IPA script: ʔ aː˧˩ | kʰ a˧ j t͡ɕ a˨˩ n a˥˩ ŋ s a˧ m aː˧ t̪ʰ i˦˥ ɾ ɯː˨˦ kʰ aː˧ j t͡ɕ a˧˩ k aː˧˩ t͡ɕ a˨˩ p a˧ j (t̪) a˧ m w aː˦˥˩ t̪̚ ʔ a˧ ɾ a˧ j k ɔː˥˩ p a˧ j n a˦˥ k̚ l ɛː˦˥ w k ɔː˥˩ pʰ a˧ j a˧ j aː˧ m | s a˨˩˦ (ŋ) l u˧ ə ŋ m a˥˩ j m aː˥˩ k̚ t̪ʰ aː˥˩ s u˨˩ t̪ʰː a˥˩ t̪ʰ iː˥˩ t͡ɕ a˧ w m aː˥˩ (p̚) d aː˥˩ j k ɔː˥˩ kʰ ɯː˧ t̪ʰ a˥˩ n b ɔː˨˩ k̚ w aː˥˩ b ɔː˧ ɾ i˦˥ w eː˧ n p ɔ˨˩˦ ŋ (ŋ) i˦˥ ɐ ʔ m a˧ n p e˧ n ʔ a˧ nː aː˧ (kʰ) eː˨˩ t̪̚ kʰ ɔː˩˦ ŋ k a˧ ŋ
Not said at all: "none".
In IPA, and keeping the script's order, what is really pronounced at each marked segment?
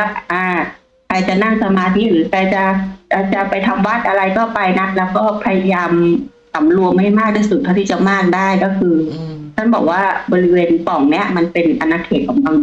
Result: t̪ʰ, m, k̚, n, kʰ

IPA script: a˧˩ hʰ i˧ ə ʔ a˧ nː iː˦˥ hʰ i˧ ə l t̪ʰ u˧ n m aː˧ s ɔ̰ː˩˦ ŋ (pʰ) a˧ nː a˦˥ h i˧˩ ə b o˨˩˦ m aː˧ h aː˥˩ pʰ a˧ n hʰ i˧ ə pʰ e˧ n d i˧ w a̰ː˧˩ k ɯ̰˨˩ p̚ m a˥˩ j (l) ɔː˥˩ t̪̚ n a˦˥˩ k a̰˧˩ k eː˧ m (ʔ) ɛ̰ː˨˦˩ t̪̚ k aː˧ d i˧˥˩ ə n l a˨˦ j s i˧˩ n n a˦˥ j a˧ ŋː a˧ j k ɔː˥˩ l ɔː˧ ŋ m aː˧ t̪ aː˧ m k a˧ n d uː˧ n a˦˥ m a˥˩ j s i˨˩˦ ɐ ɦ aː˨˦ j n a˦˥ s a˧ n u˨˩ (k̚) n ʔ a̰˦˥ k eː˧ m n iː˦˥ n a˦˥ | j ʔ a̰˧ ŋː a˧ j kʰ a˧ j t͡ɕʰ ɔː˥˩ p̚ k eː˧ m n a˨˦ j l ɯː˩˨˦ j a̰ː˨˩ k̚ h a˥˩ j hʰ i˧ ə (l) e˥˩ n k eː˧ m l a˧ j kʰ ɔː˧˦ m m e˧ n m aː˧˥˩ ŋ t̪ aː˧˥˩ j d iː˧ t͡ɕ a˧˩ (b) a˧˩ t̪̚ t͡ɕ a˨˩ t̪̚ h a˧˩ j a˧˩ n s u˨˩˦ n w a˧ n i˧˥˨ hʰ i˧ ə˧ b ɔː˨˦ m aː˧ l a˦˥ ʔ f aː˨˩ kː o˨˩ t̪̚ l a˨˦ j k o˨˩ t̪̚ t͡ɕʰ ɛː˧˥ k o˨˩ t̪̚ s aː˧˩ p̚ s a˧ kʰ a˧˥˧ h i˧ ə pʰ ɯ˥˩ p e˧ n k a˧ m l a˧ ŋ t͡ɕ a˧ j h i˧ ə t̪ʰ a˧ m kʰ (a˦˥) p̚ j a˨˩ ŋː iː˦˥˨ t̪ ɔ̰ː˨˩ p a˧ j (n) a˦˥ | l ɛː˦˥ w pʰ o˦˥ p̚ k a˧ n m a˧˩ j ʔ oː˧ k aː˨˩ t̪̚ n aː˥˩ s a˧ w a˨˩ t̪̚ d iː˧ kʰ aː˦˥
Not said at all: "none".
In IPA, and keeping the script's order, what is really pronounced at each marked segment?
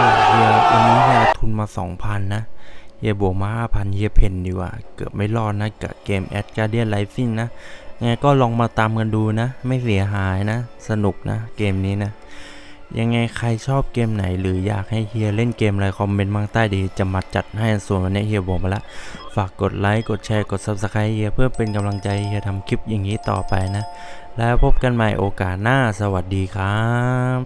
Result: pʰ, l, ʔ, k̚, l, m, i˦˥, n

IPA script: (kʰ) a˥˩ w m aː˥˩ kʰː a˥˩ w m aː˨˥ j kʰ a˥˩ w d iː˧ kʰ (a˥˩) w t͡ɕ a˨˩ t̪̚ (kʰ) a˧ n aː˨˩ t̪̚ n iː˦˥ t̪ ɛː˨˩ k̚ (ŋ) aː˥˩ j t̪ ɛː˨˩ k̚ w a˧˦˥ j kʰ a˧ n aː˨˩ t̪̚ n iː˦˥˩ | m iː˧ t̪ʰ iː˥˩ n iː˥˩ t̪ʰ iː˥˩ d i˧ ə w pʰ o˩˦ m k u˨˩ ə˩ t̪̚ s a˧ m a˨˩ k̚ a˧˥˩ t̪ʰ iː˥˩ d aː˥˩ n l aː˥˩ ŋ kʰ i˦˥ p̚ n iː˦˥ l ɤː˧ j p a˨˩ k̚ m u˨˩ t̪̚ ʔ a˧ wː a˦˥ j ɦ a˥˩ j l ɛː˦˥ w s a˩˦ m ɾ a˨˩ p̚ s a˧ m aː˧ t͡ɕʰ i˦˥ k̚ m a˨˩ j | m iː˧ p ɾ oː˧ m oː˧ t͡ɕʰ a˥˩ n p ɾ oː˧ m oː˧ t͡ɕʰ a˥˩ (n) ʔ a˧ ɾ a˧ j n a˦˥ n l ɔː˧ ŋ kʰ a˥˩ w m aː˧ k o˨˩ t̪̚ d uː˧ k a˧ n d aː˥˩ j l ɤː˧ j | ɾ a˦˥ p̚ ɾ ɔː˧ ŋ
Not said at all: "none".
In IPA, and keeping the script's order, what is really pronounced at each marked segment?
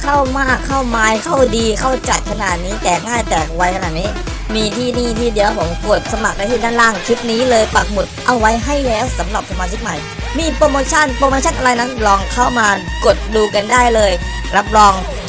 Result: kʰ, a˥˩, kʰ, ŋ, n

